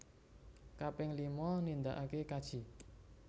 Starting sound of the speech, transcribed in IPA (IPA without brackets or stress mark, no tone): k